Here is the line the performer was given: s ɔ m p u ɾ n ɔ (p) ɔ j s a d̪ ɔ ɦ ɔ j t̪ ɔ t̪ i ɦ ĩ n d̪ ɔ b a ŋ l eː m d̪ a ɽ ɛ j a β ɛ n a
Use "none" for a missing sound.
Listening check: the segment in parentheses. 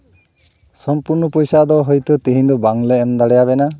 p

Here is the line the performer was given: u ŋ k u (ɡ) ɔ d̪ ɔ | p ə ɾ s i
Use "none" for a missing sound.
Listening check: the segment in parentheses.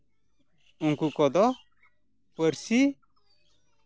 k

